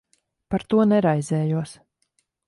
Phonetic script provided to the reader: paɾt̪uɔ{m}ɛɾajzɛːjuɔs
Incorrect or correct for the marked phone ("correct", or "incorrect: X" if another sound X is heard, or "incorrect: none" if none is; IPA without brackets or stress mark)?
incorrect: n